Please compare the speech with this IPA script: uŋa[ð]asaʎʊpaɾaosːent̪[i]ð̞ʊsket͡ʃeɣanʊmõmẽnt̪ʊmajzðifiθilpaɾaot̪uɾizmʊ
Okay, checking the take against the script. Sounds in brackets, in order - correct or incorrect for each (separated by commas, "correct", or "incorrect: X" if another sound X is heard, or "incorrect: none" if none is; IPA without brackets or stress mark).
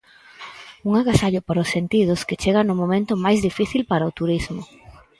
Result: incorrect: ɣ, correct